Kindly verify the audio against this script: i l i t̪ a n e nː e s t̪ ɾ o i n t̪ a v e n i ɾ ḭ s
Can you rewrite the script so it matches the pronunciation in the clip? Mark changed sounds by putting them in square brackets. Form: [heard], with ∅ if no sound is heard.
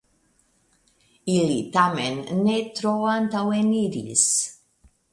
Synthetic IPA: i l i t̪ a [m] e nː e [∅] t̪ ɾ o [a] n t̪ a [w] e n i ɾ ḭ s